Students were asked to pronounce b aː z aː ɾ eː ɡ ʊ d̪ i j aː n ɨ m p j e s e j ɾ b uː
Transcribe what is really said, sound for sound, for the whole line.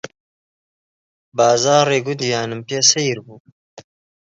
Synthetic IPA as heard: b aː z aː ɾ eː ɡ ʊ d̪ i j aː n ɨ m p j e s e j ɾ b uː